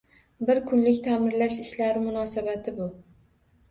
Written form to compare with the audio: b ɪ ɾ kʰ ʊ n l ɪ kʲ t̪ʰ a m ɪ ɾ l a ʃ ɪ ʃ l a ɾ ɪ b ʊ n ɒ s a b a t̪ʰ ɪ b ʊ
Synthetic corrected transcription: b ɪ ɾ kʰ ʊ n l ɪ kʲ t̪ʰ a m ɪ ɾ l a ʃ ɪ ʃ l a ɾ ɪ m ʊ n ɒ s a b a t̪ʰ ɪ b ʊ

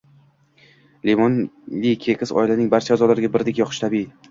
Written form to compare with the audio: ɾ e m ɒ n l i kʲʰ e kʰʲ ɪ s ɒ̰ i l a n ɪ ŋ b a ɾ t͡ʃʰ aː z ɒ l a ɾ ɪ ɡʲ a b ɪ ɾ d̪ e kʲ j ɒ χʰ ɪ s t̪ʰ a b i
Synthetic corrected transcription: l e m ɒ n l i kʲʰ e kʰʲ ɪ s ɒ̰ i l a n ɪ ŋ b a ɾ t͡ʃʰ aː z ɒ l a ɾ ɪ ɡʲ a b ɪ ɾ d̪ e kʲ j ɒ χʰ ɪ ʃ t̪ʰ a b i

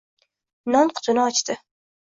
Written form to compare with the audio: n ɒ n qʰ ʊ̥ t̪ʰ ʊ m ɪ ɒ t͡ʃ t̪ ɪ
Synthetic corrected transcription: n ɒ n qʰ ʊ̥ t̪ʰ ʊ n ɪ ɒ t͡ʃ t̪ ɪ

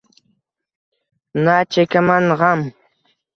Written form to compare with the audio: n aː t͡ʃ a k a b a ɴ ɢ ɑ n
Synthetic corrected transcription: n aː t͡ʃ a k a m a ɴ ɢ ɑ m

